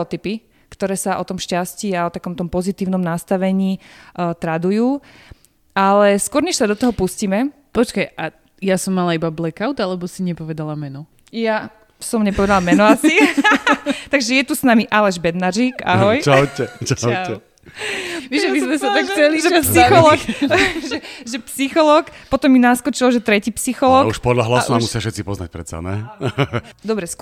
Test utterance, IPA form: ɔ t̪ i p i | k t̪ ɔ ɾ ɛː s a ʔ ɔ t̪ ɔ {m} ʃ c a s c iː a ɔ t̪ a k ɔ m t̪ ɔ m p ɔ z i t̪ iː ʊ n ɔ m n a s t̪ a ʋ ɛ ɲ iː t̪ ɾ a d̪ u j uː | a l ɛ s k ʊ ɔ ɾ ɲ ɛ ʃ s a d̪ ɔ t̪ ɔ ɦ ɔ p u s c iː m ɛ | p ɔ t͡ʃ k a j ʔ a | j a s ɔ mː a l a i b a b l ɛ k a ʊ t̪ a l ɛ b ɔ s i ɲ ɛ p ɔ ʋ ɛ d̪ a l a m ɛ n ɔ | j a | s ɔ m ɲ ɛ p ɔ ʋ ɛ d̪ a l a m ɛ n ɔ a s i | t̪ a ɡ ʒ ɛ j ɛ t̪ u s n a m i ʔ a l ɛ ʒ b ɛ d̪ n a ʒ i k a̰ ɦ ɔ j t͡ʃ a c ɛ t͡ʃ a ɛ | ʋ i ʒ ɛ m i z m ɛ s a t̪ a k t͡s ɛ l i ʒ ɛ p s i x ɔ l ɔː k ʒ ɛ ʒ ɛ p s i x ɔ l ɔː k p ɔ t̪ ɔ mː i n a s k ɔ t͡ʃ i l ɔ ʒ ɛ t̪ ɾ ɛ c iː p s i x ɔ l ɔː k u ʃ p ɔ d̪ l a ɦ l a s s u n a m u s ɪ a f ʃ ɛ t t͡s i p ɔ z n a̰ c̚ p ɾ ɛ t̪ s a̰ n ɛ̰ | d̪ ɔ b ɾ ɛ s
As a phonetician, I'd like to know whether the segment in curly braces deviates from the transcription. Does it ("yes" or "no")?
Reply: no